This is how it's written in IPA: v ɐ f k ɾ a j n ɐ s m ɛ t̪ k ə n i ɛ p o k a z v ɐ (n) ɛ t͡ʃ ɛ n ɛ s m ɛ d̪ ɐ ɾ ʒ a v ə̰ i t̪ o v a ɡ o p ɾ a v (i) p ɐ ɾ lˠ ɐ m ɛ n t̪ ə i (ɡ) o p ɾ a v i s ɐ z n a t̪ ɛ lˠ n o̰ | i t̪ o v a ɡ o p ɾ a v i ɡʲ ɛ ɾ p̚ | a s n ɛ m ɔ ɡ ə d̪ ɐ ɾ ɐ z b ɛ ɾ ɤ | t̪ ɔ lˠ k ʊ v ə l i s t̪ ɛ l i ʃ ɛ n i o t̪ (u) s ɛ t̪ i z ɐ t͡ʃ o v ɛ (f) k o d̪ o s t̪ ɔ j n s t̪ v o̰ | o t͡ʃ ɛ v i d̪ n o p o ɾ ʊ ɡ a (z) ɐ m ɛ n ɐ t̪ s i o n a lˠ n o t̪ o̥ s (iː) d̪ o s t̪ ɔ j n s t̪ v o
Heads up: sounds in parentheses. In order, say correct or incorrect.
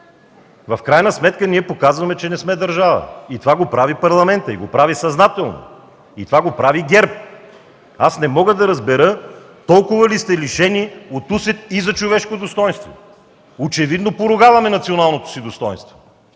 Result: incorrect: m, correct, correct, correct, incorrect: ʃ, incorrect: v, incorrect: i

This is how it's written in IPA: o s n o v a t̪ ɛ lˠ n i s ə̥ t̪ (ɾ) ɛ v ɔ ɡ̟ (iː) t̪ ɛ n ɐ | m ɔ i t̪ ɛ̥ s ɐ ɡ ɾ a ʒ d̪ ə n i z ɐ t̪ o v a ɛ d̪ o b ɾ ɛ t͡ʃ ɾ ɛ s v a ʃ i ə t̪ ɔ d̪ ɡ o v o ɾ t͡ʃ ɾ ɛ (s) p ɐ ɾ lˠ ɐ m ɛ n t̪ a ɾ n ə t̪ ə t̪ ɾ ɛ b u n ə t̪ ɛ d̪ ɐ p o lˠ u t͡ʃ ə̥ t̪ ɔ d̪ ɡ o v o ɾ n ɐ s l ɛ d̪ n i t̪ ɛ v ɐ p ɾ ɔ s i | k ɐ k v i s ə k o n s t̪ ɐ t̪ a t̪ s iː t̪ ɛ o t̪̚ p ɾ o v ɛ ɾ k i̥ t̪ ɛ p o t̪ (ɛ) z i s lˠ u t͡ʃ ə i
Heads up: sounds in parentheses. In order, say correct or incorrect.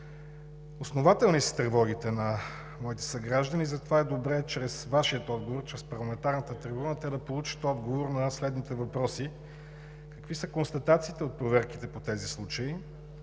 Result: correct, incorrect: i, correct, correct

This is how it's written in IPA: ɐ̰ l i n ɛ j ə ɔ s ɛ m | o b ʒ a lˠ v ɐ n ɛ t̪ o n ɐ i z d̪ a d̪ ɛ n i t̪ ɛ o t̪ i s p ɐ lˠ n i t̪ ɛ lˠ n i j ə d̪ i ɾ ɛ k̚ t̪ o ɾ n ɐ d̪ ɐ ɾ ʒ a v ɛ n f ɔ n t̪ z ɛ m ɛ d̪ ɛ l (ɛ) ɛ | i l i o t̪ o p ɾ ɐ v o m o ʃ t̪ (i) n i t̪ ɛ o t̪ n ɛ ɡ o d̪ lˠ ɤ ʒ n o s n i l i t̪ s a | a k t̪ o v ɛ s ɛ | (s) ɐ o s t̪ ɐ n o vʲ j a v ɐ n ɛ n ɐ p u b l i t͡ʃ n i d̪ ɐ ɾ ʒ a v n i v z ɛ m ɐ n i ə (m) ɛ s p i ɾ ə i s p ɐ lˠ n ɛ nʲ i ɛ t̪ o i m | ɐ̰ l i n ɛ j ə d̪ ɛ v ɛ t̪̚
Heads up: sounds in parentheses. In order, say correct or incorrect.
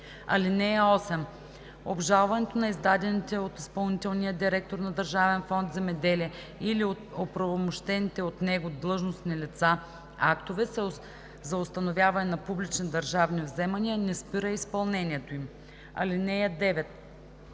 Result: incorrect: i, incorrect: ɛ, incorrect: z, incorrect: n

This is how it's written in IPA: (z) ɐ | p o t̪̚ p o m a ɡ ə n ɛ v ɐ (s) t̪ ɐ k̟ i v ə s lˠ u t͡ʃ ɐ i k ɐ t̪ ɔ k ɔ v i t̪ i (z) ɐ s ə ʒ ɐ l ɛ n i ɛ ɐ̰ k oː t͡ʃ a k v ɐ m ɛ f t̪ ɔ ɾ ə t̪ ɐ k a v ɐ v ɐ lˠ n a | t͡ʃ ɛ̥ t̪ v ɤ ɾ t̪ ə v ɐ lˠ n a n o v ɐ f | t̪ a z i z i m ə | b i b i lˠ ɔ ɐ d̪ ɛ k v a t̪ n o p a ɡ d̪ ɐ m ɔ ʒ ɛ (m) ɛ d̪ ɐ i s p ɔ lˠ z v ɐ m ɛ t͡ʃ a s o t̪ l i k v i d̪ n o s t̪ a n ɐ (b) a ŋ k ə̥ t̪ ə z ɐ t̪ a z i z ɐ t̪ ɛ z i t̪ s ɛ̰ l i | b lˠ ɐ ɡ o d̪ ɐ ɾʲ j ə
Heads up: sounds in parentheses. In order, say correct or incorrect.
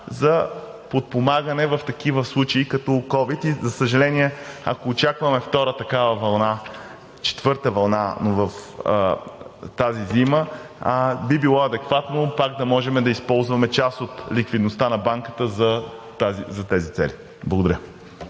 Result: correct, incorrect: f, correct, correct, correct

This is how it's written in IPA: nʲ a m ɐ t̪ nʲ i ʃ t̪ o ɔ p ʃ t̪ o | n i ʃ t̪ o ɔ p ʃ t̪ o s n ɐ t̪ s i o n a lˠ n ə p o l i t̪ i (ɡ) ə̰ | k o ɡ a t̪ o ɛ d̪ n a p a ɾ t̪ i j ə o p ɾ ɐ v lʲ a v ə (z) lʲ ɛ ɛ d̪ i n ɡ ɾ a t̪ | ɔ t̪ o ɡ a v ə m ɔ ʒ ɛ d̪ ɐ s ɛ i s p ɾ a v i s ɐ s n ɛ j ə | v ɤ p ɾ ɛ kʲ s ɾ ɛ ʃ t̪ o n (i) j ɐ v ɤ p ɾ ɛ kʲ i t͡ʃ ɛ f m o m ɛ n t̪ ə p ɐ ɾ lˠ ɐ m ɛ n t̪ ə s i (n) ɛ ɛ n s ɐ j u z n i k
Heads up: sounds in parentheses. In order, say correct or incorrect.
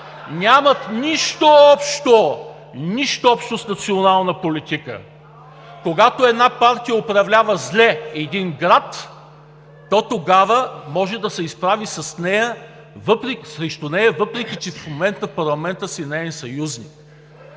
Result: incorrect: k, correct, incorrect: ɛ, correct

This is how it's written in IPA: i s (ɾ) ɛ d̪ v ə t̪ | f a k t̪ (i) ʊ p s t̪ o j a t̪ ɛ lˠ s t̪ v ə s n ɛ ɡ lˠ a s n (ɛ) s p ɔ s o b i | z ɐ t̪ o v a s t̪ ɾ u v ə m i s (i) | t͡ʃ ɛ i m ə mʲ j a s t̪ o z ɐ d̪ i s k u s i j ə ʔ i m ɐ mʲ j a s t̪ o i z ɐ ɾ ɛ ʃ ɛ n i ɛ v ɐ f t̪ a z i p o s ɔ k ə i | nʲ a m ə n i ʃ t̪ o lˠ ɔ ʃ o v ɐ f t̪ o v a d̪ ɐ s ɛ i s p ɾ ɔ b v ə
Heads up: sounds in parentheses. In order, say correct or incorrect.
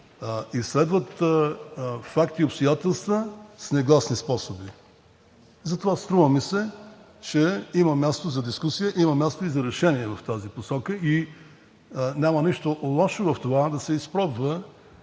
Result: incorrect: l, correct, incorrect: i, incorrect: ɛ

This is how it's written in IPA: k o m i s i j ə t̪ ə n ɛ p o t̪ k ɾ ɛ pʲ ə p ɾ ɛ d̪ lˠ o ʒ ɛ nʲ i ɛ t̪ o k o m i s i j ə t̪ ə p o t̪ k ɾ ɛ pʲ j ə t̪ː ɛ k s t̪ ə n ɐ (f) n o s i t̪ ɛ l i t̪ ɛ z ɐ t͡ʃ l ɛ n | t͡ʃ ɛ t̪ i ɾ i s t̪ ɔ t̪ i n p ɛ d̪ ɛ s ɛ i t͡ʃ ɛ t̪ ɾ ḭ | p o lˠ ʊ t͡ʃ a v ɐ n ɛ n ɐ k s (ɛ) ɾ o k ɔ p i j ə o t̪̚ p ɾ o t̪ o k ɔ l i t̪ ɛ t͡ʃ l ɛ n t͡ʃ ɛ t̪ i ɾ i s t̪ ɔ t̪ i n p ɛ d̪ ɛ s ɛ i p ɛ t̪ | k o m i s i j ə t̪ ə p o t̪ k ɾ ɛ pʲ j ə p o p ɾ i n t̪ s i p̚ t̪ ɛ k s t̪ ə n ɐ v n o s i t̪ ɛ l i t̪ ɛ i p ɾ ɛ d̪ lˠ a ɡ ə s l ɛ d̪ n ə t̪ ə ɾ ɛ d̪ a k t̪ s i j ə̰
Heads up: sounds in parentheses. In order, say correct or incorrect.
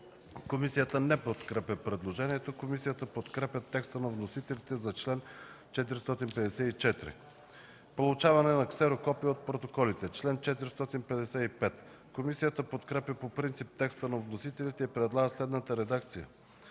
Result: incorrect: v, correct

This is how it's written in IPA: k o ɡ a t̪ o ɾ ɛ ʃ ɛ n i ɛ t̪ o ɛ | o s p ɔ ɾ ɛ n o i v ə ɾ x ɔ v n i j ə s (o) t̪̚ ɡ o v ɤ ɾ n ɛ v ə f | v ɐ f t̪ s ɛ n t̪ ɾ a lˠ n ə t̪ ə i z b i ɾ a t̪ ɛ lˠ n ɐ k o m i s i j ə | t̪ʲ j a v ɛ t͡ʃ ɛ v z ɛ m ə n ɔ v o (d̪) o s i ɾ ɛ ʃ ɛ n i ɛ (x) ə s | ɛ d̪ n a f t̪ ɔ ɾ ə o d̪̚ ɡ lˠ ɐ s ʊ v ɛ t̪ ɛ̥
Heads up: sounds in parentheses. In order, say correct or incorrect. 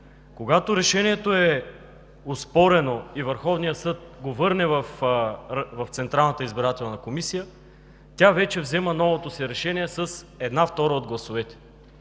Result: incorrect: ɤ, incorrect: t̪, incorrect: s

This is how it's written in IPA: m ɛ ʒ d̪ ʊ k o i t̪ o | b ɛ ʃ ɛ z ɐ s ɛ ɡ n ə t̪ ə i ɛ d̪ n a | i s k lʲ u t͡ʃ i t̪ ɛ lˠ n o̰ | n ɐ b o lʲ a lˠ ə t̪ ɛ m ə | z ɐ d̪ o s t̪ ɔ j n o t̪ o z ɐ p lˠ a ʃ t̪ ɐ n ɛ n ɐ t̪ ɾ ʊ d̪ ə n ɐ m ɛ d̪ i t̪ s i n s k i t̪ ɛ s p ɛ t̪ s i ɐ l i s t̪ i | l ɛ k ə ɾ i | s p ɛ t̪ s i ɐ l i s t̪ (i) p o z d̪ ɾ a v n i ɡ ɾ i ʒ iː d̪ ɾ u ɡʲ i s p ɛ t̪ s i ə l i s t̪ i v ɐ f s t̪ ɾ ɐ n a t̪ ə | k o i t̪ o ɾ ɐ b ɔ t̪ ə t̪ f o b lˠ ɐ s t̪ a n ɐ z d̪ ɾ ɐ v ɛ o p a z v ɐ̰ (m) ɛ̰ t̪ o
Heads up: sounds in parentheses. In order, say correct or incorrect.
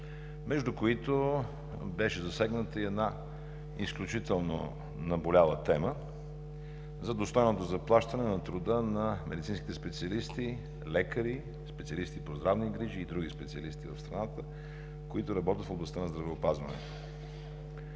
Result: correct, incorrect: n

